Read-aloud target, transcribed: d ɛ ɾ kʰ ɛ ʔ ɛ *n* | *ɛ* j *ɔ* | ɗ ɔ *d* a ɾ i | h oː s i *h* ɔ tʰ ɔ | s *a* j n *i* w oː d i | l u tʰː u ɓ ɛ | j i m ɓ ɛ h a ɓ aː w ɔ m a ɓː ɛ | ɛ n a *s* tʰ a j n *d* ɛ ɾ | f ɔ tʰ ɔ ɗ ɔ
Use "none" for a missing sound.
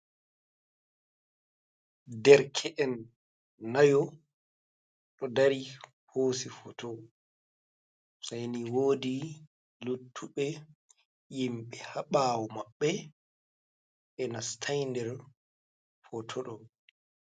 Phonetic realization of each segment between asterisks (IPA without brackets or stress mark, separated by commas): nː, a, ɔ, d, f, a, i, s, d